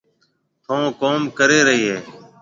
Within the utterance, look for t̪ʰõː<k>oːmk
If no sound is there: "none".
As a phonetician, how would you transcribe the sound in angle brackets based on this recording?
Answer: k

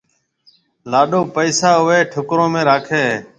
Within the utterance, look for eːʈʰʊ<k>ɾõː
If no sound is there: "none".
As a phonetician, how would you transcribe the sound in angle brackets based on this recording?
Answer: k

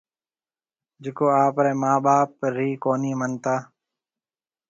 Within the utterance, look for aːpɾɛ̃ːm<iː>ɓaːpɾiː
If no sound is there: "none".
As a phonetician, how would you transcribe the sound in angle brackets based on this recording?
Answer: aː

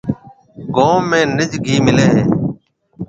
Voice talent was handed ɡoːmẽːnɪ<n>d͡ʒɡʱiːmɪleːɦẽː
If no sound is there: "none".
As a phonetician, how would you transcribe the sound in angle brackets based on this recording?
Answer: none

